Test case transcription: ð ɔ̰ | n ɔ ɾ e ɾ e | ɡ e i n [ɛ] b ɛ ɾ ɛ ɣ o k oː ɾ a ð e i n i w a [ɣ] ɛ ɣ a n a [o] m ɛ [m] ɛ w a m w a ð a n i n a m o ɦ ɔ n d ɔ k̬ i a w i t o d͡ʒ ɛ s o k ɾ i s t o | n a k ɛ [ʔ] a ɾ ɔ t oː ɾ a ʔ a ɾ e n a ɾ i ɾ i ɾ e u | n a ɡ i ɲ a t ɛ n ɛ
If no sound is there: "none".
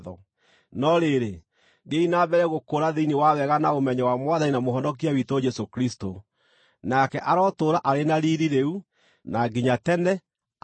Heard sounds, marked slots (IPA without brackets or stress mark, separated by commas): a, w, o, ɲ, ʔ